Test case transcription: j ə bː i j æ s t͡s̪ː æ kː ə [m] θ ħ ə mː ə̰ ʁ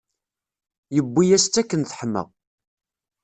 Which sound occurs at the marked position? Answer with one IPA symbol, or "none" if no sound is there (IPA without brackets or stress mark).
n